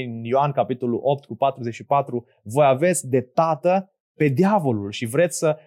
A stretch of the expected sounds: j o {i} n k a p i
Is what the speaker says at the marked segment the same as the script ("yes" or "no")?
no